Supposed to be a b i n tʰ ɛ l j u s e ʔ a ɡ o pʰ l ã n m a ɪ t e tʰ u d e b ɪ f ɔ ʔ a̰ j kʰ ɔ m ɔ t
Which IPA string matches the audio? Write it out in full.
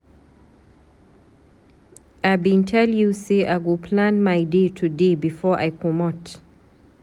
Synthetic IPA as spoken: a b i n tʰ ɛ l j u s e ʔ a ɡ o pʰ l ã n m a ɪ d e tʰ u d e b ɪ f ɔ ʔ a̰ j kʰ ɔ m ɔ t